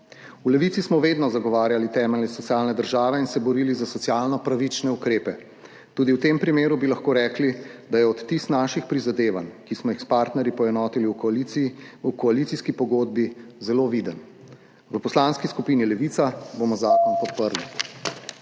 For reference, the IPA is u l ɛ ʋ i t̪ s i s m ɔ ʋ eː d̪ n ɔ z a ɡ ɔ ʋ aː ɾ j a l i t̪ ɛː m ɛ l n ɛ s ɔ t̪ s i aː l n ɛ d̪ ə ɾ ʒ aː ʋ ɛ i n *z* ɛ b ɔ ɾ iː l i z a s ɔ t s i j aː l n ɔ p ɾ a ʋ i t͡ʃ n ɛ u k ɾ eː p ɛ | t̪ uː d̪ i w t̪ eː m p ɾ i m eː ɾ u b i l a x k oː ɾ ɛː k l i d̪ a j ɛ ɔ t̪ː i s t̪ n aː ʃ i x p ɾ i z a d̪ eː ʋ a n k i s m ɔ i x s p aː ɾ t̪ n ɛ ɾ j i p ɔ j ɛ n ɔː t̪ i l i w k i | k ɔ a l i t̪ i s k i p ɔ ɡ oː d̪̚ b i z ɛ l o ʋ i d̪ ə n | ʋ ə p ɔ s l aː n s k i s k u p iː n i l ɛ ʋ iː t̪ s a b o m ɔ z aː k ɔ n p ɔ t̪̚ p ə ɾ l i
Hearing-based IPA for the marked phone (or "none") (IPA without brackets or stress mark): s